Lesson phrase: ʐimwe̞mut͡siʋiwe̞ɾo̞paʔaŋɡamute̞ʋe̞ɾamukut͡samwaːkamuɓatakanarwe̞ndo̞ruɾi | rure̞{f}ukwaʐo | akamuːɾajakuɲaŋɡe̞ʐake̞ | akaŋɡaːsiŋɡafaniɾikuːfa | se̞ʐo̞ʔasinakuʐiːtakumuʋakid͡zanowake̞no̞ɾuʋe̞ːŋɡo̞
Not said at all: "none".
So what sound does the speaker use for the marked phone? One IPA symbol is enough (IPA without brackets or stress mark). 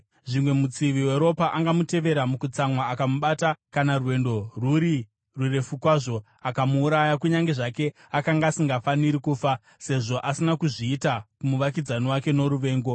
f